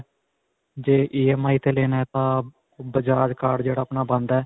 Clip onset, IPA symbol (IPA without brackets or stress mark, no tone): d͡ʒ